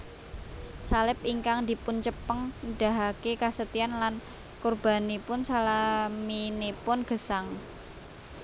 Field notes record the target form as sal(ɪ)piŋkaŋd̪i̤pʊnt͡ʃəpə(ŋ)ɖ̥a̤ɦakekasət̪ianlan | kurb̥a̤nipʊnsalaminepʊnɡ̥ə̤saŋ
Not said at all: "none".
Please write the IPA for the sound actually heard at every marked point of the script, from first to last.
ɪ, ŋ

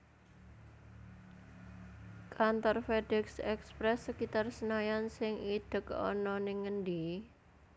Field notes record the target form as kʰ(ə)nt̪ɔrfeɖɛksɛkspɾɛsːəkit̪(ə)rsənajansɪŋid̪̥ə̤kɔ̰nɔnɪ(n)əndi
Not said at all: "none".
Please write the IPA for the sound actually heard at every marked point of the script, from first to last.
a, a, ŋ

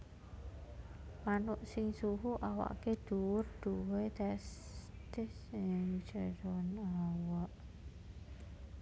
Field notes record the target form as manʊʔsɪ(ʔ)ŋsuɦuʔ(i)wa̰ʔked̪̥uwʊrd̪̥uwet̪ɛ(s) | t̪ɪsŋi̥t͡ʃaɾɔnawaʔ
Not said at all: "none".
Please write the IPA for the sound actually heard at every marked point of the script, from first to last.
none, a, s

